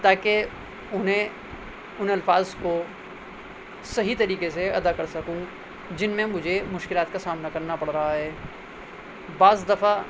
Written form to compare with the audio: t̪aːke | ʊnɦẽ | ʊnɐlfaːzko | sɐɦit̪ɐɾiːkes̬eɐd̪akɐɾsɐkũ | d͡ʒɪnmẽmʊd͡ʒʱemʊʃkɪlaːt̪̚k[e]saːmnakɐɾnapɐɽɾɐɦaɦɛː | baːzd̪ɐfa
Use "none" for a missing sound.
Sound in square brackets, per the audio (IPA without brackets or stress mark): a